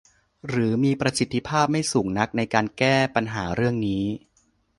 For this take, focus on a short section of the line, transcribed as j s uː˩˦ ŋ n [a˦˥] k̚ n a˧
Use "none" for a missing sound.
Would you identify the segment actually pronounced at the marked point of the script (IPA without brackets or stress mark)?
a˦˥